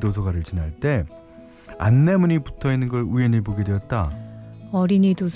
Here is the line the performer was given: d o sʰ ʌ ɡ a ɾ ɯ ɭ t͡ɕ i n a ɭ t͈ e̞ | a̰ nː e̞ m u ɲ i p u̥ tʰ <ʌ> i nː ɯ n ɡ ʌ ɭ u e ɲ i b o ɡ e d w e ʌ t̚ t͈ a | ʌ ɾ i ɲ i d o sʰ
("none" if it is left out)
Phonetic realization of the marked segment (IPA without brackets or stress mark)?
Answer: ʌ